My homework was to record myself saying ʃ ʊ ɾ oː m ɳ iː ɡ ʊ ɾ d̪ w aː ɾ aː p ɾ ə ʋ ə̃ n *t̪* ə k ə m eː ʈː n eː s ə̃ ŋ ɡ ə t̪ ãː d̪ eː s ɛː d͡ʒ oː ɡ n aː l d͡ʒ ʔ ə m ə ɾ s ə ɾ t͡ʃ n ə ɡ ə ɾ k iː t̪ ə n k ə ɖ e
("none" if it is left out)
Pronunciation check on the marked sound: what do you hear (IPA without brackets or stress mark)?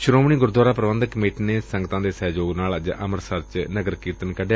d̪